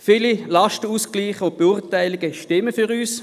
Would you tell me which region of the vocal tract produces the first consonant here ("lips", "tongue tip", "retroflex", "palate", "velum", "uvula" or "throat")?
lips